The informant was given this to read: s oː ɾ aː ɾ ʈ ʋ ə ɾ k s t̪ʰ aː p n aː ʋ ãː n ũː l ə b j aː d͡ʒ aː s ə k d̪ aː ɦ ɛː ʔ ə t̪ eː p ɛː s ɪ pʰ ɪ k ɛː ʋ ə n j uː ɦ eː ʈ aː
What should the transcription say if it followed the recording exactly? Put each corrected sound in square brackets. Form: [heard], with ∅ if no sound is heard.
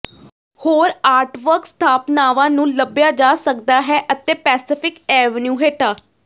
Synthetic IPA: [h] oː ɾ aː ɾ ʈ ʋ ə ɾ k s t̪ʰ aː p n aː ʋ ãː n ũː l ə b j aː d͡ʒ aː s ə k d̪ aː ɦ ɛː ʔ ə t̪ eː p ɛː s ɪ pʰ ɪ k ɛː ʋ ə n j uː ɦ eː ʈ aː